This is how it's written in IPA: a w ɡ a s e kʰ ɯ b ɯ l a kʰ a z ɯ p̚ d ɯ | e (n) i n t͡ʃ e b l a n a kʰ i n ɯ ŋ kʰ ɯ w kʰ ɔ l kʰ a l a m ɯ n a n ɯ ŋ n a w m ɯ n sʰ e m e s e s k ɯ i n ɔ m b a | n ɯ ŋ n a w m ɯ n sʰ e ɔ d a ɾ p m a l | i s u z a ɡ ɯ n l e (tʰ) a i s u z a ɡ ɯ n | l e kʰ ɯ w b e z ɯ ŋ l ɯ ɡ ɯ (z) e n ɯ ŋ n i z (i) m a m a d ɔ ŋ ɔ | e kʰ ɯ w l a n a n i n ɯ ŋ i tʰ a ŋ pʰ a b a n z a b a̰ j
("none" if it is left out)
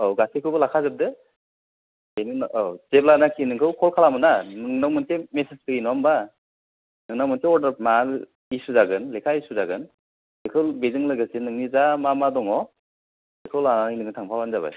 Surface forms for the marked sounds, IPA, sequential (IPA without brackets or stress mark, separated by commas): n, kʰ, s, a